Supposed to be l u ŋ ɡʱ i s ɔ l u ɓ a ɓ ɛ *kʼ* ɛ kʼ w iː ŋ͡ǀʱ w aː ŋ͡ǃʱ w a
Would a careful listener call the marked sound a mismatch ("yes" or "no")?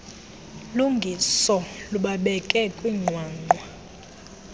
no